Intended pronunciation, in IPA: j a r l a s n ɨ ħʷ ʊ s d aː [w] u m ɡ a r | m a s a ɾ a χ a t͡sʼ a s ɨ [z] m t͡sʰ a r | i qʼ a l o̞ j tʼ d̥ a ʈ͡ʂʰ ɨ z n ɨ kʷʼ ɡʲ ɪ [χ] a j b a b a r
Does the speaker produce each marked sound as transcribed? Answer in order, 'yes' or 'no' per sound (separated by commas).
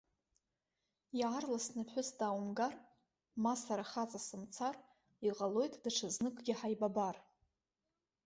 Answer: yes, no, no